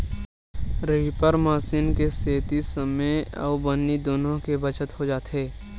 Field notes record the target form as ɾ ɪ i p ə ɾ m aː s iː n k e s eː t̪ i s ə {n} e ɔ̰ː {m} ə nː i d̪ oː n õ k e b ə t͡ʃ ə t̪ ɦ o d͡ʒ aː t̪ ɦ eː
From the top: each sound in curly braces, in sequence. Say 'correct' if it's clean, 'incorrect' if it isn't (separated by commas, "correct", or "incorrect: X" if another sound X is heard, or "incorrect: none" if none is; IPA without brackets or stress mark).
incorrect: m, incorrect: b